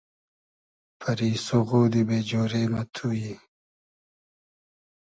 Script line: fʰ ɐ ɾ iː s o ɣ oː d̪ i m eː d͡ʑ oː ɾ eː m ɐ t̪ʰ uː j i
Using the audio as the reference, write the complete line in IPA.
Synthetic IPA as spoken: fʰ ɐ ɾ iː s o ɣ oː d̪ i b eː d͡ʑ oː ɾ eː m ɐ t̪ʰ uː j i